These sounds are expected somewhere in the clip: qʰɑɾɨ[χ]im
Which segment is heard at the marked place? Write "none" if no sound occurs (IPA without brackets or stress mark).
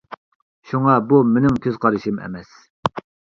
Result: ʃ